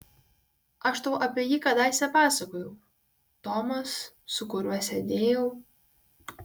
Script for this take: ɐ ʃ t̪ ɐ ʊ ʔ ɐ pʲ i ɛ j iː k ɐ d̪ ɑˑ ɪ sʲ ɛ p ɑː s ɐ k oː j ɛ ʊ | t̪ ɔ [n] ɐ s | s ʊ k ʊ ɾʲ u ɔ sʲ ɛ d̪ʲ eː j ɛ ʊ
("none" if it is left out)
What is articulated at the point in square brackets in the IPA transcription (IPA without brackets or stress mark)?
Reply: m